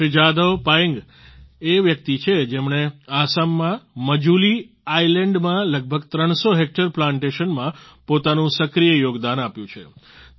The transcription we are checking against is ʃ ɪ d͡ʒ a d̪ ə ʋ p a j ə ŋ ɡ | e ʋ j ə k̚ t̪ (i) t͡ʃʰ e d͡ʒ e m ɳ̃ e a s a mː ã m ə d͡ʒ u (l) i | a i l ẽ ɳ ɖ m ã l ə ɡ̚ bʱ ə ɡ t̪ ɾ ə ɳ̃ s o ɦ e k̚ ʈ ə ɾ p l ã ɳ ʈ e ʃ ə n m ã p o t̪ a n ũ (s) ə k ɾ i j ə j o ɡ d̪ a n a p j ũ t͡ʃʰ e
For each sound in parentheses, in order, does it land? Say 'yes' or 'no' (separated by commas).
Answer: yes, yes, yes